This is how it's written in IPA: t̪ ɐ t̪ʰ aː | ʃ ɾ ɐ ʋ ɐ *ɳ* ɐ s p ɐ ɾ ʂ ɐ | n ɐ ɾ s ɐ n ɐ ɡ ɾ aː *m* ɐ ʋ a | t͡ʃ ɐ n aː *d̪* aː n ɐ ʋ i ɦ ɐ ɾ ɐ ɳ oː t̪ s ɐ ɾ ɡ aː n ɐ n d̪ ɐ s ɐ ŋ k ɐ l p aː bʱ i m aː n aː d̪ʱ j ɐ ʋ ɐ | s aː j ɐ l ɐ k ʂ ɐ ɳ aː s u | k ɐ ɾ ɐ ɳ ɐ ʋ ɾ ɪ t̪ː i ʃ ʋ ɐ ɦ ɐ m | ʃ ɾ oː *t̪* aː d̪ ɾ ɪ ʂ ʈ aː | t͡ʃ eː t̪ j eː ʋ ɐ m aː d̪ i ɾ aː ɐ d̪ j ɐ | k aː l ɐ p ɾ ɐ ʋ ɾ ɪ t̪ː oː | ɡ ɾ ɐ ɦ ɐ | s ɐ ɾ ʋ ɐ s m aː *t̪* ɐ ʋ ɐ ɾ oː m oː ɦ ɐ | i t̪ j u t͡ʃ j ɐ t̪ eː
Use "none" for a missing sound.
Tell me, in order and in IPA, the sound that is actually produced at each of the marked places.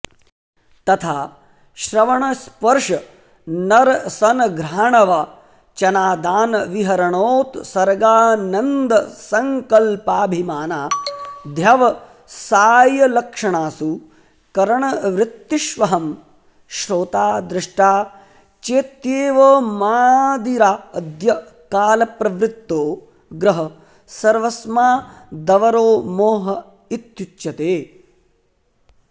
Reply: ɳ, ɳ, d̪, t̪, d̪

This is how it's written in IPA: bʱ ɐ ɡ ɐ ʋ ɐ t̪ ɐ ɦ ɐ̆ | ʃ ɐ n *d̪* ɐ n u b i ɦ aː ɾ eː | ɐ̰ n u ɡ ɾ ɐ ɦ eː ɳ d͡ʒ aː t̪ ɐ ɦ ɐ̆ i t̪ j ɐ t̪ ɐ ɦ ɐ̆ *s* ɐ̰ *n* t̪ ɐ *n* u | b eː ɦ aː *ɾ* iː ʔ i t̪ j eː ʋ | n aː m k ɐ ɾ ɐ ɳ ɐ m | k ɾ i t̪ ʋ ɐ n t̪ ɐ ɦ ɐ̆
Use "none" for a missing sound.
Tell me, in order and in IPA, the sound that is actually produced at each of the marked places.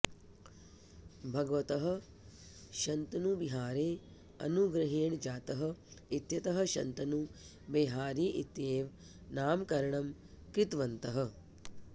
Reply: t̪, ʃ, n, n, ɾ

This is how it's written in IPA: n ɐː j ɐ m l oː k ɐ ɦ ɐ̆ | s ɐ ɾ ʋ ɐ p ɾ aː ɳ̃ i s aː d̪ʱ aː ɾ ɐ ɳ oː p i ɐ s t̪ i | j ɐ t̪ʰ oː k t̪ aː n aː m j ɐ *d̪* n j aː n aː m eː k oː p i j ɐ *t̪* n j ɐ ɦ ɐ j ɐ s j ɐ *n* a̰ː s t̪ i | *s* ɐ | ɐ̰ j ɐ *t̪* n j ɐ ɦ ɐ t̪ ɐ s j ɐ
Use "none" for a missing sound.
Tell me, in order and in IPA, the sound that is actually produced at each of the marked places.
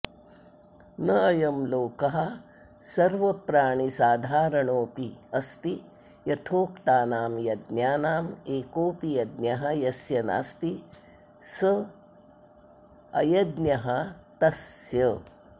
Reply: d̪, d̪, n, s, d̪

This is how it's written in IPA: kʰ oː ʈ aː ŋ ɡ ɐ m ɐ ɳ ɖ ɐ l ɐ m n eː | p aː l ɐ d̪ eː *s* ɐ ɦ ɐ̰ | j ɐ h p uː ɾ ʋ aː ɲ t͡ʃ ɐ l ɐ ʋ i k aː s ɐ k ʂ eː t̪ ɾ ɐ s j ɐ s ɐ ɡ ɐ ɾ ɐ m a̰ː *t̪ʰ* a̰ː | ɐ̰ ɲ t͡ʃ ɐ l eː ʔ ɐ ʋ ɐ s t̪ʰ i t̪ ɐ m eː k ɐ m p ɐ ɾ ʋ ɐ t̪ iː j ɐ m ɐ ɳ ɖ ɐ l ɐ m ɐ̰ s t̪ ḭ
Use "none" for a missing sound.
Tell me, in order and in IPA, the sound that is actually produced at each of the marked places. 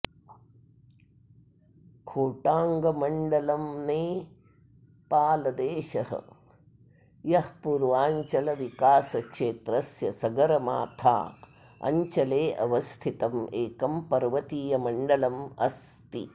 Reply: ʃ, t̪ʰ

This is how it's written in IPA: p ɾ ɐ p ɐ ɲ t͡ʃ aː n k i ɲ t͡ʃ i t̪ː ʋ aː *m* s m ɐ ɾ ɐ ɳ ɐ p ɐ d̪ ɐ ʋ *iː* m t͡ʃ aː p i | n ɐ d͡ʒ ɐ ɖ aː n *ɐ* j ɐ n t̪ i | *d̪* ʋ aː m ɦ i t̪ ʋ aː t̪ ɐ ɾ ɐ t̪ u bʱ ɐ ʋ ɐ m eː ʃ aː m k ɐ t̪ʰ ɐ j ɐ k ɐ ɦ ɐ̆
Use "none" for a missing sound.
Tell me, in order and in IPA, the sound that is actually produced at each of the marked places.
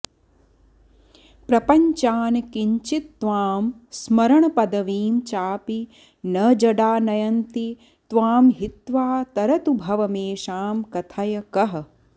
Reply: m, iː, ɐ, t̪

